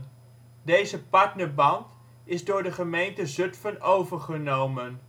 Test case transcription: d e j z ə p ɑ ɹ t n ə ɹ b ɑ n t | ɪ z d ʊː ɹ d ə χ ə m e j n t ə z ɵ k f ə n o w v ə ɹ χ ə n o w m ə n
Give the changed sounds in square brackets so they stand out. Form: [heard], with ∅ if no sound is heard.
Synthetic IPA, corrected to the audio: d e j z ə p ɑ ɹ t n ə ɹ b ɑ n t | ɪ z d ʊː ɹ d ə χ ə m e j n t ə z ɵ [t] f ə n o w v ə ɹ χ ə n o w m ə n

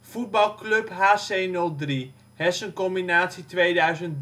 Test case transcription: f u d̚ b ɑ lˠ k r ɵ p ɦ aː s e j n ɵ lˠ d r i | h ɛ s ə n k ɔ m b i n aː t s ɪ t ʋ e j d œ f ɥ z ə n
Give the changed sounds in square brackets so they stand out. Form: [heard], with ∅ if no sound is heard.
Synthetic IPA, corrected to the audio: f u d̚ b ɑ lˠ k [l] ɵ p ɦ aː s e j n ɵ lˠ d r i | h ɛ s ə n k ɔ m b i n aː t s [i] t ʋ e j d œ [∅] ɥ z ə n

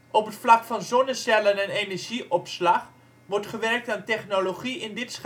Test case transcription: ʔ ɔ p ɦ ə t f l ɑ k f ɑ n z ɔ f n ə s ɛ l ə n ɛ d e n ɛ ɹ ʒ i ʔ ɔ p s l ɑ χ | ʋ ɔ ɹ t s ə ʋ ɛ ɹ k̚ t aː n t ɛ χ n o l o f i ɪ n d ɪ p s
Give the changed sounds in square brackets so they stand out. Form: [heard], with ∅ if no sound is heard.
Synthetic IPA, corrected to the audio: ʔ ɔ p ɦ ə t f l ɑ k f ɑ n z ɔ [∅] n ə s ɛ l ə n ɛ [n] e n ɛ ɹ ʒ i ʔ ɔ p s l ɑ χ | ʋ ɔ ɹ t [χ] ə ʋ ɛ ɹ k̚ t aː n t ɛ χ n o l o [χ] i ɪ n d ɪ [t] s

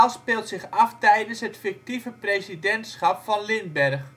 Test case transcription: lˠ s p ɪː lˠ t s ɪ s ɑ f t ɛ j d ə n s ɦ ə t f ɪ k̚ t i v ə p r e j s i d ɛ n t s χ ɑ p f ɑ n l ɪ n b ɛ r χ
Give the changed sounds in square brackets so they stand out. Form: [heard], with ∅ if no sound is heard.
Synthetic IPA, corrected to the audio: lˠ s p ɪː lˠ t s ɪ [χ] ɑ f t ɛ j d ə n s ɦ ə t f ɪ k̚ t i v ə p r e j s i d ɛ n t s χ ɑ p f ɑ n l ɪ n b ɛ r χ

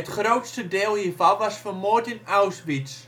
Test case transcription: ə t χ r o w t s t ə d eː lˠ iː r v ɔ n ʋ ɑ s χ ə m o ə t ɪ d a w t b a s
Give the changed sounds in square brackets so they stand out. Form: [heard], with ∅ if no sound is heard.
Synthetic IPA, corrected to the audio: ə t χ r o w t s t ə d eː lˠ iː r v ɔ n ʋ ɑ s [f] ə m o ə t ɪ [n] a w [s] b [i] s

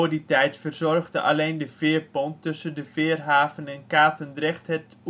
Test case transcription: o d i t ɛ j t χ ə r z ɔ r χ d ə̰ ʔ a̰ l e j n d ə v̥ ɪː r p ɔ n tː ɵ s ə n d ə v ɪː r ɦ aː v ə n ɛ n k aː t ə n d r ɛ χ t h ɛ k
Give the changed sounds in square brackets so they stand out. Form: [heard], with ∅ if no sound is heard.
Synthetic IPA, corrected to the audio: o d i t ɛ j t [f] ə r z ɔ r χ d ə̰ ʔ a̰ l e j n d ə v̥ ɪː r p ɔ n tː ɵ s ə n d ə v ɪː r ɦ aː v ə n ɛ n k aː t ə n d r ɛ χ t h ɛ [t]

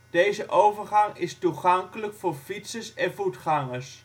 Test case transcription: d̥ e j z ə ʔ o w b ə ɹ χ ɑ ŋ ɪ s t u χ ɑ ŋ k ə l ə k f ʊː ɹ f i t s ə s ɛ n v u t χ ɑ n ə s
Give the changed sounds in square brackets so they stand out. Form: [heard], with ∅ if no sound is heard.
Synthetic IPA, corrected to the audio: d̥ e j z ə ʔ o w [v] ə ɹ χ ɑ ŋ ɪ s t u χ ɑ ŋ k ə l ə k f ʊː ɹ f i t s ə s ɛ n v u t χ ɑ [ŋ] ə s

